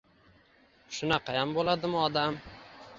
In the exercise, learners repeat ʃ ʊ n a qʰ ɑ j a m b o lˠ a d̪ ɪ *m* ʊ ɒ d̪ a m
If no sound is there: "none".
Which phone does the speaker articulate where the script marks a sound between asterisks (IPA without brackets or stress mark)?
m